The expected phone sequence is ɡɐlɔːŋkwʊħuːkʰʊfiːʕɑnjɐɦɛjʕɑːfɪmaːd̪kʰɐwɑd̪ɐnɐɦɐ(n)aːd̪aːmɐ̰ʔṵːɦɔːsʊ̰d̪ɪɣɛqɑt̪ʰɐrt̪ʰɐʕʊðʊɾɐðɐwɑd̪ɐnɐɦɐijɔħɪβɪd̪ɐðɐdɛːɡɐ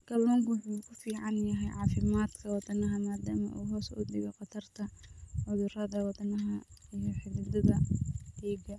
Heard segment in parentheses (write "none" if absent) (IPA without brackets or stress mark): m